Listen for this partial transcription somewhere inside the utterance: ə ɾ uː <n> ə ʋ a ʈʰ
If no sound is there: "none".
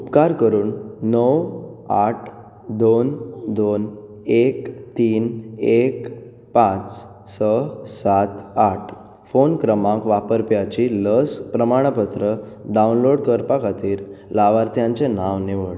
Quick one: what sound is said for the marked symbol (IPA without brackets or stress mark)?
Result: nː